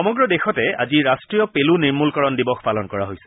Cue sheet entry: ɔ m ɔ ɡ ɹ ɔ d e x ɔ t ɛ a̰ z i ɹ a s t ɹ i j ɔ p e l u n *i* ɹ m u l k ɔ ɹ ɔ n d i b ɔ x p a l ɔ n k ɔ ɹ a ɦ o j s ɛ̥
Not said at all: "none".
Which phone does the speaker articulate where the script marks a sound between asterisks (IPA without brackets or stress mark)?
i